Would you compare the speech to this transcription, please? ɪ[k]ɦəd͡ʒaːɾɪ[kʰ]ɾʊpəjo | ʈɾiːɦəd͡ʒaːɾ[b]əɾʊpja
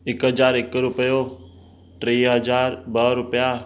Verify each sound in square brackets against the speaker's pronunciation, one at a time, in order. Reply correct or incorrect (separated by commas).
correct, incorrect, correct